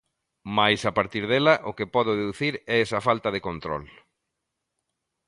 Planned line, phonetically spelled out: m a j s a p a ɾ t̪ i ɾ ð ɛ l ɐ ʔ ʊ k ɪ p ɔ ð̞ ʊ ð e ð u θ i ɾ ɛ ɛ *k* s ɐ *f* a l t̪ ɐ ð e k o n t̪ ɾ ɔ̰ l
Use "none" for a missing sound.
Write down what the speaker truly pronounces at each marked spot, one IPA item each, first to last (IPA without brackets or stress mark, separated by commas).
none, f